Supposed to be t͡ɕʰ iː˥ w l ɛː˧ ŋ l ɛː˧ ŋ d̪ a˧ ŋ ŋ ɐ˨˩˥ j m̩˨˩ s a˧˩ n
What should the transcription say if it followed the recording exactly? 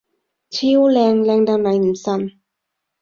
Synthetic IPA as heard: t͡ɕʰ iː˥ w l ɛː˧ ŋ l ɛː˧ ŋ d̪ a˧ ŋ n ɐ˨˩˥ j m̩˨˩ s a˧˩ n